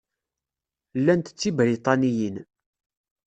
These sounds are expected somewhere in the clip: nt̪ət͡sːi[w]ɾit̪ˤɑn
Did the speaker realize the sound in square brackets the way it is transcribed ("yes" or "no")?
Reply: no